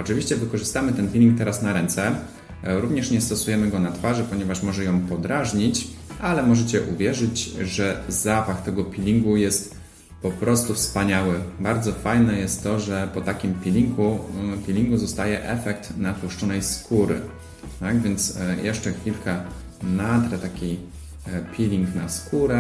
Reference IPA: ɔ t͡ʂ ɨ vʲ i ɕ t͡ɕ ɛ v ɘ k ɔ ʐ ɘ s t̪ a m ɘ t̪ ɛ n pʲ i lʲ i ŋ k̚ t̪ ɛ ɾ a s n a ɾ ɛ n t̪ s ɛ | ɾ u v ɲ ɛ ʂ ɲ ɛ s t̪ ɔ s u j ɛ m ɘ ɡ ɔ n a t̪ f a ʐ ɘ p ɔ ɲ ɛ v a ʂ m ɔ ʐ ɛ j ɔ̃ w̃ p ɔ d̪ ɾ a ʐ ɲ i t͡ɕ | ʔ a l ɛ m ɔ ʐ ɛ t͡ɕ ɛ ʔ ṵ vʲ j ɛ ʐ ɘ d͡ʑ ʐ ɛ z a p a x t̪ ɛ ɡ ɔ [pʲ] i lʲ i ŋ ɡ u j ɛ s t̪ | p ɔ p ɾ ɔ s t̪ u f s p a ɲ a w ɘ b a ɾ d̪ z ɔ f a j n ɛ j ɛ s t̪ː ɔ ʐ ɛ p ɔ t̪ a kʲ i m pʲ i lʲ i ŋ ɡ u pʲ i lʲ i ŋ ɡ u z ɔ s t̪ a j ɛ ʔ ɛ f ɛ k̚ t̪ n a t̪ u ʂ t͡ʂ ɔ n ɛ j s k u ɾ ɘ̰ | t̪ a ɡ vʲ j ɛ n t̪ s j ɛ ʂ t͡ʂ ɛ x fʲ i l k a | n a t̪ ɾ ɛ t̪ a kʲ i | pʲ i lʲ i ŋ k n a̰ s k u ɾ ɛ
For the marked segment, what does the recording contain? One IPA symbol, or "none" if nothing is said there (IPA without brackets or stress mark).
pʲ